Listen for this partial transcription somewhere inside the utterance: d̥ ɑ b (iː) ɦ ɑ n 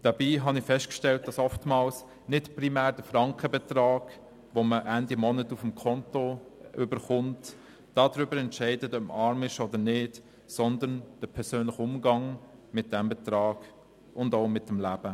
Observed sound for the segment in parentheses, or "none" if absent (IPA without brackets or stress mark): iː